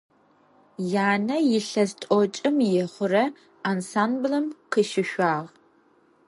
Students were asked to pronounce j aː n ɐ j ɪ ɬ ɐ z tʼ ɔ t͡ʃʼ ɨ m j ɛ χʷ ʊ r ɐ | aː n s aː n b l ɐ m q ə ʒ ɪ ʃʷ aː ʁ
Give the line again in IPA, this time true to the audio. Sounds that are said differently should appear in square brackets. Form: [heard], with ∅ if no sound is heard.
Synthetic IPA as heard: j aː n ɐ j ɪ ɬ ɐ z tʼ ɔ t͡ʃʼ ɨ m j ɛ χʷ ʊ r ɐ | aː n s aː n b l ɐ m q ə [ʃ] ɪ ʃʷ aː ʁ